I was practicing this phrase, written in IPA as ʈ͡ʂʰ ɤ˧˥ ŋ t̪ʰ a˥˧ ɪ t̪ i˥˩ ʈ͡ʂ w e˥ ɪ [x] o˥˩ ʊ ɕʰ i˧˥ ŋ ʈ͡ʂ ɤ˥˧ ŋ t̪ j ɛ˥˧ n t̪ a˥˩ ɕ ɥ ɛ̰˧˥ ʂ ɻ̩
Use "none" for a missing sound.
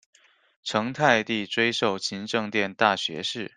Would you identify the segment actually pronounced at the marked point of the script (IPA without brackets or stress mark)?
ʂ